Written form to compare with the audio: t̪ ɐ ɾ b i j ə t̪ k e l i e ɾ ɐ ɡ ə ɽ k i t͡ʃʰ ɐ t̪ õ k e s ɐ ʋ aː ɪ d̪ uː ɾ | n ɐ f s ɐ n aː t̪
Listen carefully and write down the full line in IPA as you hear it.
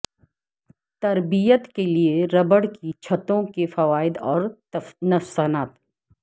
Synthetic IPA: t̪ ɐ ɾ b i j ə t̪ k e l i e ɾ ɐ b ə ɽ k i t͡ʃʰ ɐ t̪ õ k e f ɐ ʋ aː ɪ d̪ ɔː ɾ | n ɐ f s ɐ n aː t̪

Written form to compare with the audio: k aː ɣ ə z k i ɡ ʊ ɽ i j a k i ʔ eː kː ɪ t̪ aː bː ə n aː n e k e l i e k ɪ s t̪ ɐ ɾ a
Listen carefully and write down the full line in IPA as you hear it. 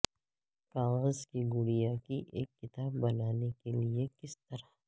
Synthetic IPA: k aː ɣ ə z k i ɡ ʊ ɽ i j a k i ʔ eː kː ɪ t̪ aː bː ɐ n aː n e k e l i e k ɪ s t̪ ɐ ɾ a

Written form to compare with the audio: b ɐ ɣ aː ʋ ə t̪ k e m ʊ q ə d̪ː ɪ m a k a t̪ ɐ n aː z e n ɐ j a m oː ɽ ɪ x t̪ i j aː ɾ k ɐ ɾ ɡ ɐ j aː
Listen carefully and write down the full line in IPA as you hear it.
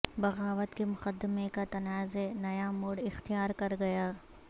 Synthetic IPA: b ɐ ɣ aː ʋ ə t̪ k e m ʊ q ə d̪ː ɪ m e k a t̪ ɐ n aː z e n ɐ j a m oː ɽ ɪ x t̪ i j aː ɾ k ɐ ɾ ɡ ɐ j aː

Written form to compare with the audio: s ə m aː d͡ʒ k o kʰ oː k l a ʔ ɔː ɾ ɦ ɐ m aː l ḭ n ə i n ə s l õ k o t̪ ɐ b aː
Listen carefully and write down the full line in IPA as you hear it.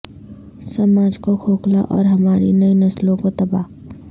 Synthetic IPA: s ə m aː d͡ʒ k o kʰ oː k l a ʔ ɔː ɾ ɦ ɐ m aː ɾ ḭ n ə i n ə s l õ k o t̪ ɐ b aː

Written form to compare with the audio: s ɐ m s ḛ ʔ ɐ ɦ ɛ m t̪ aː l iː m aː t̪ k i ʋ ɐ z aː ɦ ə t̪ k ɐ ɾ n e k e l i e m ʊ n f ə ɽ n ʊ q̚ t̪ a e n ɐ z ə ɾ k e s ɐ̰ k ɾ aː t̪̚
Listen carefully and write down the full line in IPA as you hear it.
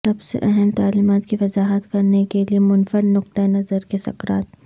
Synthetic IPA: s ɐ b s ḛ ʔ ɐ ɦ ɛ m t̪ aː l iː m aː t̪ k i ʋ ɐ z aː ɦ ə t̪ k ɐ ɾ n e k e l i e m ʊ n f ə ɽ n ʊ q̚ t̪ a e n ɐ z ə ɾ k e s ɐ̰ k ɾ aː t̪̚

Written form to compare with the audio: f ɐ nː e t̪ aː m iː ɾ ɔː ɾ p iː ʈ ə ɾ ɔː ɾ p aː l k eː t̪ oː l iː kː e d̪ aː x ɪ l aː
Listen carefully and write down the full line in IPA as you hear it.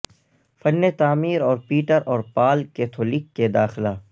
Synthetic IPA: f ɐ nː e t̪ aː m iː ɾ ɔː ɾ p iː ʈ ə ɾ ɔː ɾ p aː l k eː t̪ʰ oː l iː kː e d̪ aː x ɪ l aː

